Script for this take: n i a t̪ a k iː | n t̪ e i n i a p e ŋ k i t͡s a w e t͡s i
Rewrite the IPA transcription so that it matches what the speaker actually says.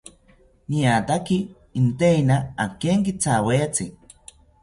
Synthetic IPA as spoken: n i a t̪ a k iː | n t̪ e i n a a k e ŋ k i t͡s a w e t͡s i